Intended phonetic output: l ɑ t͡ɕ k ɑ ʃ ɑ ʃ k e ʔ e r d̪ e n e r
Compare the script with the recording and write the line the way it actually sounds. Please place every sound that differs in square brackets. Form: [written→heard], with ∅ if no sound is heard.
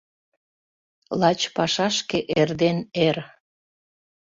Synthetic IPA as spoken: l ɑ t͡ɕ [k→p] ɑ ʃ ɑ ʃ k e ʔ e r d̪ e n e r